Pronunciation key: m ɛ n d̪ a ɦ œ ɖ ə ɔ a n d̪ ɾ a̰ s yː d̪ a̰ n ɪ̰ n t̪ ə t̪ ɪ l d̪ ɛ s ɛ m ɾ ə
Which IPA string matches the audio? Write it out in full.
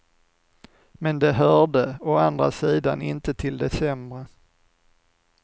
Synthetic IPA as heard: m ɛ n d̪ ɛ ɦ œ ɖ ə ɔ a n d̪ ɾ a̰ s iː d̪ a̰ n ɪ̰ n t̪ ə t̪ʰ ɪ l d̪ ɛ s ɛ m ɾ ə